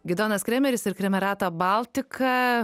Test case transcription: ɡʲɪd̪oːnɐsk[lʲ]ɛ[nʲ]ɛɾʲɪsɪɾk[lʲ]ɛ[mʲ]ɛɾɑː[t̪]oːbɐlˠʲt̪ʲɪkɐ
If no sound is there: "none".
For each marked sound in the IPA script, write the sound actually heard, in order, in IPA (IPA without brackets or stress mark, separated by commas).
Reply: ɾʲ, mʲ, ɾʲ, mʲ, t̪